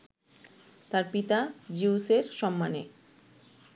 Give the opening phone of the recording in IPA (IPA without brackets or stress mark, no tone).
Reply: t̪